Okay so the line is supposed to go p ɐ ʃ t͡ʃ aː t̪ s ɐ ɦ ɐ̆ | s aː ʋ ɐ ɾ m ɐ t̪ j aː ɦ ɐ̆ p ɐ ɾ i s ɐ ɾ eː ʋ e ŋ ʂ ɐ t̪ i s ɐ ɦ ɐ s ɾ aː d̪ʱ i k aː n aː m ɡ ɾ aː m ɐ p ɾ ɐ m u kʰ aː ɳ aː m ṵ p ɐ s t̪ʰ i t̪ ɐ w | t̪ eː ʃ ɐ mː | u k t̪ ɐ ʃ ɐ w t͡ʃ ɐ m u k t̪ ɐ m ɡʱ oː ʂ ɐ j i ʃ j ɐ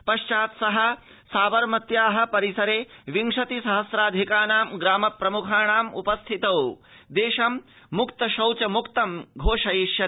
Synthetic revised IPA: p ɐ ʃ t͡ʃ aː t̪ s ɐ ɦ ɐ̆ | s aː ʋ ɐ ɾ m ɐ t̪ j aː ɦ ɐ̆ p ɐ ɾ i s ɐ ɾ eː ʋ i ŋ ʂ ɐ t̪ i s ɐ ɦ ɐ s ɾ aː d̪ʱ i k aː n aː m ɡ ɾ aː m ɐ p ɾ ɐ m u kʰ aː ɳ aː m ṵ p ɐ s t̪ʰ i t̪ ɐ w | d̪ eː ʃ ɐ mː | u k t̪ ɐ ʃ ɐ w t͡ʃ ɐ m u k t̪ ɐ m ɡʱ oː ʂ ɐ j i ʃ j ɐ